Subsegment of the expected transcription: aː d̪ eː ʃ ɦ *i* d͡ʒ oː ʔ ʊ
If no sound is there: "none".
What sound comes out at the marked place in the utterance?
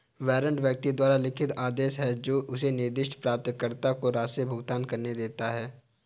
ɛ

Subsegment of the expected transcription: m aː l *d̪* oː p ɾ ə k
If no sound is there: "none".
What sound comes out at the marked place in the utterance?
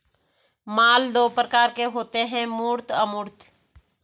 d̪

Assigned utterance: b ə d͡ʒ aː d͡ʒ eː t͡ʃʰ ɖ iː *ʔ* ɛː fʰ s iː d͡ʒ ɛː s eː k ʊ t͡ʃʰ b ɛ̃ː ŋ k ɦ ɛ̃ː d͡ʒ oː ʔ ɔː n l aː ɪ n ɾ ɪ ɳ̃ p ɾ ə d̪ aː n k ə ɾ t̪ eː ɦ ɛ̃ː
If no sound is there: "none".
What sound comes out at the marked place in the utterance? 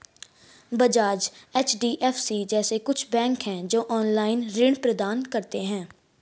ʔ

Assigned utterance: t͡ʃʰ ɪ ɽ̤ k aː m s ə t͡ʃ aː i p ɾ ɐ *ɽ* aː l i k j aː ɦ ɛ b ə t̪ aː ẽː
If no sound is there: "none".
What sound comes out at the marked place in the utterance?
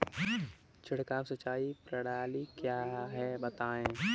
ɽ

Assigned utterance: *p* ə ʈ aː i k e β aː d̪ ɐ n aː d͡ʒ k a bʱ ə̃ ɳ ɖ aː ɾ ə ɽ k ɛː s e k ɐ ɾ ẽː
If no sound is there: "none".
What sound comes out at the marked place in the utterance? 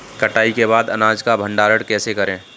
k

